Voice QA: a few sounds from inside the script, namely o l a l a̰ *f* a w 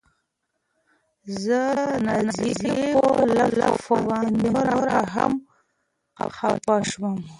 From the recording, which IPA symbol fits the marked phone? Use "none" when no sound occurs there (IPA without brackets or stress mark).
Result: f